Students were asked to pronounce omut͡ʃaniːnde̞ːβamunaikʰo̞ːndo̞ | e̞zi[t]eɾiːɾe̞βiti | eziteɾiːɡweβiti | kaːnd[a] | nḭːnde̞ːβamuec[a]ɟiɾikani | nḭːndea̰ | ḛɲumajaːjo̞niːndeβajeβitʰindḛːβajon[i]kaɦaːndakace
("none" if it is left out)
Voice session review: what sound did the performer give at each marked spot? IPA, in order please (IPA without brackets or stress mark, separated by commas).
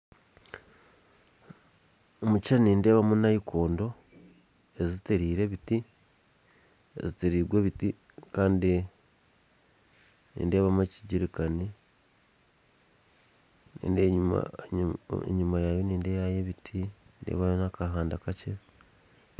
t, i, i, a